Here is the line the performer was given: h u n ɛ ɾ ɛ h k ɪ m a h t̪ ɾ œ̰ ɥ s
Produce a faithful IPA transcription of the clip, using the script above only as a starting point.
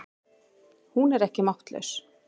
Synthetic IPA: h u n ɛ ɾ ɛ h c ɪ m a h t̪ l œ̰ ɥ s